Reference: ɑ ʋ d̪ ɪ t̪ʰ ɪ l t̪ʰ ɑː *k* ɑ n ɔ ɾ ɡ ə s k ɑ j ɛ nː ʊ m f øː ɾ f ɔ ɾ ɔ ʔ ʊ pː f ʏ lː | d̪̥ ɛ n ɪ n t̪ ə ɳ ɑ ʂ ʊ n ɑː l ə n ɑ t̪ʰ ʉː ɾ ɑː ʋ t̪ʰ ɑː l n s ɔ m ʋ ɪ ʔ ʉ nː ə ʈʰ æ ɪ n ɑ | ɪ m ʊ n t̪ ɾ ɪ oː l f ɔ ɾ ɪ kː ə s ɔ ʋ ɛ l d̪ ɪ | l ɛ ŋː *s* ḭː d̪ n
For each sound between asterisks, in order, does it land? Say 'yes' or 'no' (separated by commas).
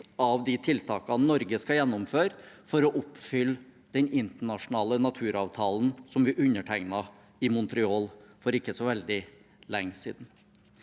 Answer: yes, yes